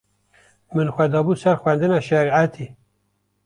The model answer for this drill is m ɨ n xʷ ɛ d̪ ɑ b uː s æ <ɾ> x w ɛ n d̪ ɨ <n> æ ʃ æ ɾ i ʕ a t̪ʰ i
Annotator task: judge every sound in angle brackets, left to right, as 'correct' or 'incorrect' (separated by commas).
correct, correct